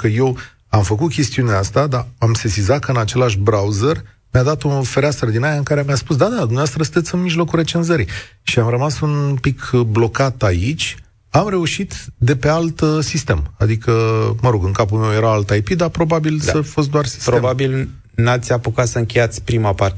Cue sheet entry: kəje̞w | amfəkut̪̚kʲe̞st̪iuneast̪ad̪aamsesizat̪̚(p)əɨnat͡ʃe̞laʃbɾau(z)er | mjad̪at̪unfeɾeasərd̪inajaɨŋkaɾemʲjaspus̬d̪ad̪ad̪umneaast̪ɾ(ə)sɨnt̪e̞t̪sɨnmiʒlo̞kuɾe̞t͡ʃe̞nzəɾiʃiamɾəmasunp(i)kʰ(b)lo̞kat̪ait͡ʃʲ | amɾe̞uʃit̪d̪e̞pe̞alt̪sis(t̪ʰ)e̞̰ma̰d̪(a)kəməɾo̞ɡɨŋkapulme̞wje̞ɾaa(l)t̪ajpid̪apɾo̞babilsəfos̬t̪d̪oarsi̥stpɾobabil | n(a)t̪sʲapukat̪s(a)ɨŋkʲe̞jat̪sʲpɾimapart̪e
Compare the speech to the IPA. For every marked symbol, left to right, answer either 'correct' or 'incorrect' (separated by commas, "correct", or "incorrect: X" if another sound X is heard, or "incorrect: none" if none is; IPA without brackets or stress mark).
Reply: incorrect: k, correct, correct, correct, correct, incorrect: t̪, incorrect: i, correct, correct, incorrect: ə